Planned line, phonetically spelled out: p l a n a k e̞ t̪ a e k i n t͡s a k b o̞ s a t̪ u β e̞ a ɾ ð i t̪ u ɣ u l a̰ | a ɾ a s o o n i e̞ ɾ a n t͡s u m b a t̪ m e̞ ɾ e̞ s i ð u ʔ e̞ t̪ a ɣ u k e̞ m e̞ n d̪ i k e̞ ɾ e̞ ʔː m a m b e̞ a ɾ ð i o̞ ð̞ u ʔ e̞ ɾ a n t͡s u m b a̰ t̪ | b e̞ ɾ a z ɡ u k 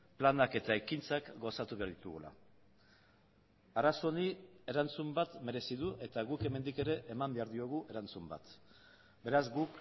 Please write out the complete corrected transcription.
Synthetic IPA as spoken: p l a n a k e̞ t̪ a e k i n t͡s a k ɡ o̞ s a t̪ u β e̞ a ɾ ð i t̪ u ɣ u l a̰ | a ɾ a s o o n i e̞ ɾ a n t͡s u m b a t̪ m e̞ ɾ e̞ s i ð u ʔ e̞ t̪ a ɣ u k e̞ m e̞ n d̪ i k e̞ ɾ e̞ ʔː m a m b e̞ a ɾ ð i o̞ ɣ̞ u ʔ e̞ ɾ a n t͡s u m b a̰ t̪ | b e̞ ɾ a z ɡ u k

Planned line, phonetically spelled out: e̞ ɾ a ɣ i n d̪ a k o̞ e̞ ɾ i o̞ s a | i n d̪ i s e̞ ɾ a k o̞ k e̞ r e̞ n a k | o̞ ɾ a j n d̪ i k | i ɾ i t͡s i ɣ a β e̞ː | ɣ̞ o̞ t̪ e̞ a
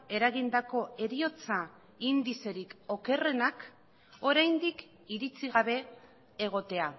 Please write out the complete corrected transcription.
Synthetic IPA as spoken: e̞ ɾ a ɣ i n d̪ a k o̞ e̞ ɾ i o̞ t͡s a | i n d̪ i s e̞ ɾ i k o̞ k e̞ r e̞ n a k | o̞ ɾ a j n d̪ i k | i ɾ i t͡s i ɣ a β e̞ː | ɣ̞ o̞ t̪ e̞ a

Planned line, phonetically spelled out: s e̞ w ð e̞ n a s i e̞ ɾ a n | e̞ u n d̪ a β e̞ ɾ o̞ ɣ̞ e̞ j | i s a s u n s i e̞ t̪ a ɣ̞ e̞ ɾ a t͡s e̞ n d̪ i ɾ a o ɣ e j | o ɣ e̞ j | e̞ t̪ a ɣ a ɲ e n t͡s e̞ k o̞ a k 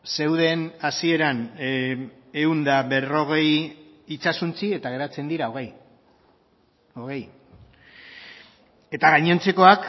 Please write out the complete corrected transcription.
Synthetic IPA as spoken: s e̞ w ð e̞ n a s i e̞ ɾ a n | e̞ u n d̪ a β e̞ r o̞ ɣ̞ e̞ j | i t͡s a s u n t͡s i e̞ t̪ a ɣ̞ e̞ ɾ a t͡s e̞ n d̪ i ɾ a o ɣ e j | o ɣ e̞ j | e̞ t̪ a ɣ a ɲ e n t͡s e̞ k o̞ a k

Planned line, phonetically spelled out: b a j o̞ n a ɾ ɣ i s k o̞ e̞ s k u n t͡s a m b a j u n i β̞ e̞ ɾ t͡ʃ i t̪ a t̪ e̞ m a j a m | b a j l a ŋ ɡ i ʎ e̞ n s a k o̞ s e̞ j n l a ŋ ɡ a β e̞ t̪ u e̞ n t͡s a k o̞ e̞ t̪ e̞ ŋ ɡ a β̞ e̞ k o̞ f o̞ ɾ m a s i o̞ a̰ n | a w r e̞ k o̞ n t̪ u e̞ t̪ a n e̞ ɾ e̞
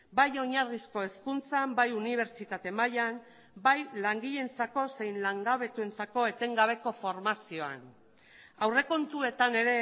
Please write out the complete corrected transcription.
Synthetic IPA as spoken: b a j o̞ ɲ a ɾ ɣ i s k o̞ e̞ s k u n t͡s a m b a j u n i β̞ e̞ ɾ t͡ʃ i t̪ a t̪ e̞ m a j a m | b a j l a ŋ ɡ i ʎ e̞ n t͡s a k o̞ s e̞ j n l a ŋ ɡ a β e̞ t̪ u e̞ n t͡s a k o̞ e̞ t̪ e̞ ŋ ɡ a β̞ e̞ k o̞ f o̞ ɾ m a s i o̞ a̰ n | a w r e̞ k o̞ n t̪ u e̞ t̪ a n e̞ ɾ e̞

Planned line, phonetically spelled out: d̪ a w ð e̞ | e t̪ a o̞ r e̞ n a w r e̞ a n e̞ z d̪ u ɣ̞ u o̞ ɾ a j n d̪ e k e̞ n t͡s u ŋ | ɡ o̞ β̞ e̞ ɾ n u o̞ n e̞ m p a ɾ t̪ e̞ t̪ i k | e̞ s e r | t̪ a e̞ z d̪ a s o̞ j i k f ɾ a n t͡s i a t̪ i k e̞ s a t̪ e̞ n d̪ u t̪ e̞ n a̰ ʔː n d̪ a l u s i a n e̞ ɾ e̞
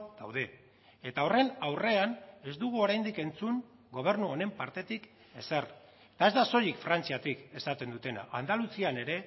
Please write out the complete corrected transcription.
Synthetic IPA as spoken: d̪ a w ð e̞ | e t̪ a o̞ r e̞ n a w r e̞ a n e̞ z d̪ u ɣ̞ u o̞ ɾ a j n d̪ i k e̞ n t͡s u ŋ | ɡ o̞ β̞ e̞ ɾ n u o̞ n e̞ m p a ɾ t̪ e̞ t̪ i k | e̞ s e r | t̪ a e̞ z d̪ a s o̞ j i k f ɾ a n t͡s i a t̪ i k e̞ s a t̪ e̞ n d̪ u t̪ e̞ n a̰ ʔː n d̪ a l u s i a n e̞ ɾ e̞

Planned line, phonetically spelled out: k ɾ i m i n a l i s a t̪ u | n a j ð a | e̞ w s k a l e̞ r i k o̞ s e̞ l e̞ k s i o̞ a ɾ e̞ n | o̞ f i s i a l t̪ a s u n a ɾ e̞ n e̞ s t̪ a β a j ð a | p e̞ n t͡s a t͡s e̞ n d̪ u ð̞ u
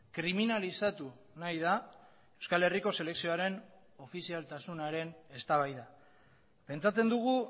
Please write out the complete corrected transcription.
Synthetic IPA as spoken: k ɾ i m i n a l i s a t̪ u | n a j ð a | e̞ w s k a l e̞ r i k o̞ s e̞ l e̞ k s i o̞ a ɾ e̞ n | o̞ f i s i a l t̪ a s u n a ɾ e̞ n e̞ s t̪ a β a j ð a | p e̞ n t͡s a t͡s e̞ n d̪ u ɣ̞ u

